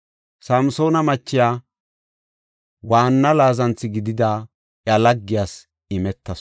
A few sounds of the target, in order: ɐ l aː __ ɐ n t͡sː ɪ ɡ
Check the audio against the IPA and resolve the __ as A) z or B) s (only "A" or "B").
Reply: A